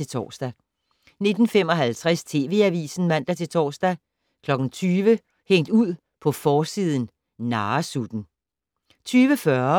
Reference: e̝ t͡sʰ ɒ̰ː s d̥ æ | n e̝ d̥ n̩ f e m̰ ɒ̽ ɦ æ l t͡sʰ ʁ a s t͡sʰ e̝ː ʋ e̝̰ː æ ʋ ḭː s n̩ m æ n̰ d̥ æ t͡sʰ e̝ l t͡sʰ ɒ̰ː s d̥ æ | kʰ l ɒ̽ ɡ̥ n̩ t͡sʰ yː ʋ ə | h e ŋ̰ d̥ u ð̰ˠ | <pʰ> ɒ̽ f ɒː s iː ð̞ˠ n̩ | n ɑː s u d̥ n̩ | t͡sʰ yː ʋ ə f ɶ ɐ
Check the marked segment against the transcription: correct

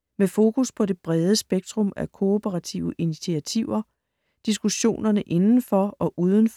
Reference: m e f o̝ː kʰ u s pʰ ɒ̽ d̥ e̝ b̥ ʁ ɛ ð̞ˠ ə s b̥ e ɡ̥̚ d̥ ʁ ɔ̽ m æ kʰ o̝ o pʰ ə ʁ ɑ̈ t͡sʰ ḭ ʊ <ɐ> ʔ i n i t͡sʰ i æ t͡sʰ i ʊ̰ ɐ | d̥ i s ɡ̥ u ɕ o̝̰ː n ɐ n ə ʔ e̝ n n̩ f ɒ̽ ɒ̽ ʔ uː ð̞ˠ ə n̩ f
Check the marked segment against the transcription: incorrect: ə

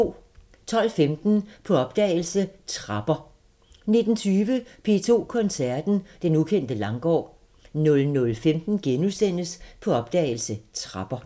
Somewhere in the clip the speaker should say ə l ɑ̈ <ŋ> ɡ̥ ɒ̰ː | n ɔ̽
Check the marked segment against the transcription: correct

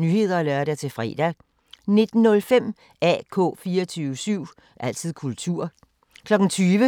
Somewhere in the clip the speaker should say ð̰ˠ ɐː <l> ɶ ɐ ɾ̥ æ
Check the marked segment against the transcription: correct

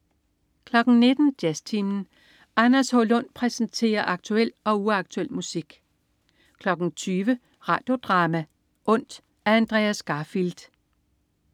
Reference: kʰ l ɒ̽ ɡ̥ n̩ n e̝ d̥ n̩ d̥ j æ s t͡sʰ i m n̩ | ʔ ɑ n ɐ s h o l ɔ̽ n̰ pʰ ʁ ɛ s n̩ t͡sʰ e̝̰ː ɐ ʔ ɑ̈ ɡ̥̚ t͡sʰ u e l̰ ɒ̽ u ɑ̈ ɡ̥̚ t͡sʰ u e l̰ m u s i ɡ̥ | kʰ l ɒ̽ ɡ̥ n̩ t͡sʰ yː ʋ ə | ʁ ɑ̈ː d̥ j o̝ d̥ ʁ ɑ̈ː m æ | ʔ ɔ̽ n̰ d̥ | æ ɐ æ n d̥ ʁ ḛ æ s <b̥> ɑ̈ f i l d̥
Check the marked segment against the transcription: incorrect: ɡ̥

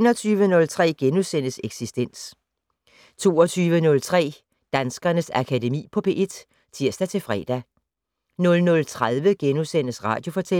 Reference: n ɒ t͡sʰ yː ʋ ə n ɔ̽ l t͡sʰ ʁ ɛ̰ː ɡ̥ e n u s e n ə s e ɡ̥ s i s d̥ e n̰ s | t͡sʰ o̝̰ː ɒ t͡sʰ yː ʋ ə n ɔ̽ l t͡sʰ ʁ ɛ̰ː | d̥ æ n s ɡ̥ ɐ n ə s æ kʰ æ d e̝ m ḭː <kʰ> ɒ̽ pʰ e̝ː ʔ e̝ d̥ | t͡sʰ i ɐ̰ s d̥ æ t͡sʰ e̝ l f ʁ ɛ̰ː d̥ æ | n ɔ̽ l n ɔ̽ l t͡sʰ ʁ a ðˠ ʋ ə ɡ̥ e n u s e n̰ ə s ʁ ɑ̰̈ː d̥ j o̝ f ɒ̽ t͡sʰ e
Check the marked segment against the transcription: incorrect: pʰ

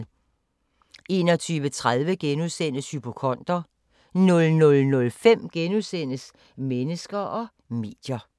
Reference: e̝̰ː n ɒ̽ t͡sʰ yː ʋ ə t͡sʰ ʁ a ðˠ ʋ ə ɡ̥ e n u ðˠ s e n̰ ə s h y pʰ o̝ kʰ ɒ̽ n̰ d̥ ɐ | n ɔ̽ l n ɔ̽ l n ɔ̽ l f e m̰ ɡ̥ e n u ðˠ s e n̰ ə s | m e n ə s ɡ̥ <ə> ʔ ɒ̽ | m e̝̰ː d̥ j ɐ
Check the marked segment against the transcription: incorrect: ɐ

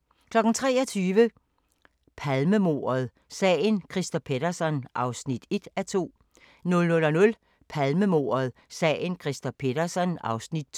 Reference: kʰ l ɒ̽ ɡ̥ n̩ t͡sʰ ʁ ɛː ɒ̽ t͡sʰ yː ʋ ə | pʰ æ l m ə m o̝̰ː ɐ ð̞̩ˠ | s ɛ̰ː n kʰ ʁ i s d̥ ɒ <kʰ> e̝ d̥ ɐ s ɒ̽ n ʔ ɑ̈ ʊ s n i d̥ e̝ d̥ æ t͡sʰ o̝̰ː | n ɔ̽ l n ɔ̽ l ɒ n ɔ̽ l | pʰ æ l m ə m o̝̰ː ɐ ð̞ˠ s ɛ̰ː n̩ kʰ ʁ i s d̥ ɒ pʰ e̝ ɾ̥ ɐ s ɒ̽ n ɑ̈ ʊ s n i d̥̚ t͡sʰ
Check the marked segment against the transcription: incorrect: pʰ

